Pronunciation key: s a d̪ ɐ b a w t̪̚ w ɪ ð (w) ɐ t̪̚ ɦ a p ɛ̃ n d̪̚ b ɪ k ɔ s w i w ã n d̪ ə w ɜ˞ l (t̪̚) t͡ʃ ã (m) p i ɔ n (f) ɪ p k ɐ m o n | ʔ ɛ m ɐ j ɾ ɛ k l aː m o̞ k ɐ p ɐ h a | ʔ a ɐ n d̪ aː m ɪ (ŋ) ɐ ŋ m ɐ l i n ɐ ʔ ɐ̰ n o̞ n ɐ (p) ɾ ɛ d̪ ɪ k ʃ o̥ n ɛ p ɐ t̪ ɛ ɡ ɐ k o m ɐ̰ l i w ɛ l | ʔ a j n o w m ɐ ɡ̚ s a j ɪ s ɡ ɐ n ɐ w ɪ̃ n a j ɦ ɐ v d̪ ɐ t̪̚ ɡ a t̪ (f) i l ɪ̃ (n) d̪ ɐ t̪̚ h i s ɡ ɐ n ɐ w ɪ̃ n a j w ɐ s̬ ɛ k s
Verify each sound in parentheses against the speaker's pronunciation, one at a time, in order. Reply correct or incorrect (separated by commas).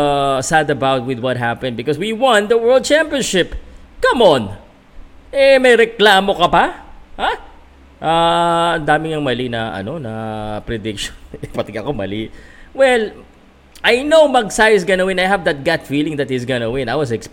correct, incorrect, correct, incorrect, correct, correct, correct, incorrect